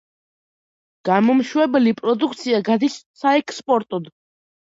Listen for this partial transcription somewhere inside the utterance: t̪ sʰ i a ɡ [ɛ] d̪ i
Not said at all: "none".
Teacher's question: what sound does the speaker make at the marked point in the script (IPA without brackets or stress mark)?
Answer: a